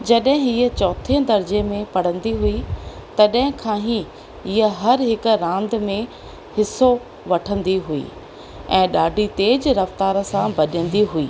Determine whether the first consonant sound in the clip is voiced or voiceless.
voiced